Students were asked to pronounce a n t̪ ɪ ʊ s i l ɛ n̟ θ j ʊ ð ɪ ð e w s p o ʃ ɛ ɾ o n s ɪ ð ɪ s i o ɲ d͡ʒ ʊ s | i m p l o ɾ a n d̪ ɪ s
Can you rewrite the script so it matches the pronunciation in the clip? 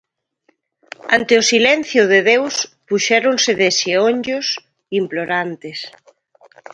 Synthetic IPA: a n t̪ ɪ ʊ s i l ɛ n̟ θ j ʊ ð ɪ ð e w s p u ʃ ɛ ɾ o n s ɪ ð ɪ s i o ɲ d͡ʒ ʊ s | i m p l o ɾ a n t̪ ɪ s

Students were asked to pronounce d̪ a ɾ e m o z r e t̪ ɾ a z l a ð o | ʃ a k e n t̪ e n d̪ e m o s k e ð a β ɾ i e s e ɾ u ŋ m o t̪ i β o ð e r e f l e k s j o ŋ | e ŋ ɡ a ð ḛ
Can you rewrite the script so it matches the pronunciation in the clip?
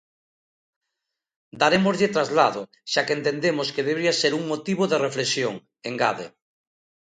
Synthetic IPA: d̪ a ɾ e m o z ʎ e t̪ ɾ a z l a ð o | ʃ a k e n t̪ e n d̪ e m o s k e ð e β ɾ i a s e ɾ u ŋ m o t̪ i β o ð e r e f l e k s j o ŋ | e ŋ ɡ a ð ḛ

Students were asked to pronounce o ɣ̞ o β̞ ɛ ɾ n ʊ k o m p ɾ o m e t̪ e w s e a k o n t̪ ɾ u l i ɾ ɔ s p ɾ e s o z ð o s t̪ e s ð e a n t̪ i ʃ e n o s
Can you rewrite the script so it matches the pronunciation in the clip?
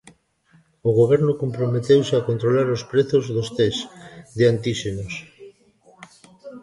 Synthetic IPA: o ɣ̞ o β̞ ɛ ɾ n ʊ k o m p ɾ o m e t̪ e w s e a k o n t̪ ɾ o l a ɾ o s p ɾ e θ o z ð o s t̪ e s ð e a n t̪ i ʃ e n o s

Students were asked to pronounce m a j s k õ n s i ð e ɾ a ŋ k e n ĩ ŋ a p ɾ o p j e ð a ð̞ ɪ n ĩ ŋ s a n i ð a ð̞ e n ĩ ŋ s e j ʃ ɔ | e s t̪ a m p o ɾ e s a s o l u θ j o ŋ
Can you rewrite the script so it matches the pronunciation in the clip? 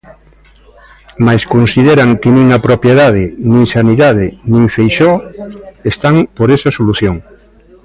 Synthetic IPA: m a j s k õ n s i ð e ɾ a ŋ k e n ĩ ŋ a p ɾ o p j e ð a ð̞ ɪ n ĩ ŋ s a n i ð a ð̞ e n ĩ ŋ f e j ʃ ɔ | e s t̪ a ŋ p o ɾ e s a s o l u θ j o ŋ

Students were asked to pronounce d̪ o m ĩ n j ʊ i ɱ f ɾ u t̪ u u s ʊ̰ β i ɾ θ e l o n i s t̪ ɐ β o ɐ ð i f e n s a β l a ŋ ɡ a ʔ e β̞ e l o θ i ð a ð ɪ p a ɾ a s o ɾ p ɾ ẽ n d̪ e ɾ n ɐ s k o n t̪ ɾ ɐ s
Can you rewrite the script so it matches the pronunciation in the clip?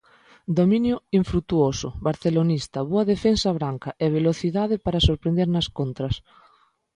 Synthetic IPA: d̪ o m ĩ n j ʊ i ɱ f ɾ u t̪ u o s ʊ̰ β a ɾ θ e l o n i s t̪ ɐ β o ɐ ð e f e n s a β ɾ a ŋ k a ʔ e β̞ e l o θ i ð a ð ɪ p a ɾ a s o ɾ p ɾ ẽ n d̪ e ɾ n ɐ s k o n t̪ ɾ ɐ s

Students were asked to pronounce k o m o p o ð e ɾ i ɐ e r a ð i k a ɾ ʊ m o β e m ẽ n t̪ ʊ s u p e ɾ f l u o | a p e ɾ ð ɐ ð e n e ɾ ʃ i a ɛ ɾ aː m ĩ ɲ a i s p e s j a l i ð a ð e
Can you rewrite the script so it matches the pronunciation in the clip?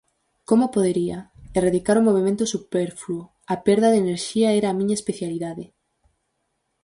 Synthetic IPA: k o m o p o ð e ɾ i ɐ e r a ð i k a ɾ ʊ m o β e m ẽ n t̪ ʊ s u p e ɾ f l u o | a p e ɾ ð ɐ ð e n e ɾ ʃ i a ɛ ɾ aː m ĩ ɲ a e s p e θ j a l i ð a ð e

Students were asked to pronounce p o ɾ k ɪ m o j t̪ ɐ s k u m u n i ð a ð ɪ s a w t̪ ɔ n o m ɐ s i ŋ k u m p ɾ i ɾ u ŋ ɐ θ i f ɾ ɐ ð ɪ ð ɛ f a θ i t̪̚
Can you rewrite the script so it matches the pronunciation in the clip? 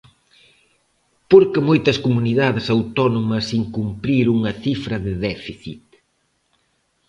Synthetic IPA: p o ɾ k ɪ m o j t̪ ɐ s k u m u n i ð a ð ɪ s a w t̪ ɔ n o m ɐ s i ŋ k u m p ɾ i ɾ u ŋ ɐ θ i f ɾ ɐ ð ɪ ð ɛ f i θ i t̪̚

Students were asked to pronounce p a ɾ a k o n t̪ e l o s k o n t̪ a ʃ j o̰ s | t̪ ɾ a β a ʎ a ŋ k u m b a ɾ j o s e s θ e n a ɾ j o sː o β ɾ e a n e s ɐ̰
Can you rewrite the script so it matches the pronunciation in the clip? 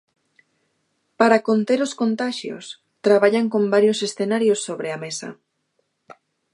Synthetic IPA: p a ɾ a k o n t̪ e ɾ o s k o n t̪ a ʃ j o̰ s | t̪ ɾ a β a ʎ a ŋ k o m b a ɾ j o s e s θ e n a ɾ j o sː o β ɾ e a m e s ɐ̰

